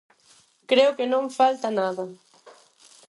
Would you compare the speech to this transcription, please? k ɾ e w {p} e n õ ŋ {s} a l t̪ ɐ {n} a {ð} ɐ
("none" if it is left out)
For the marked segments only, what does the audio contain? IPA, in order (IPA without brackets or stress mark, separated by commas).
k, f, n, ð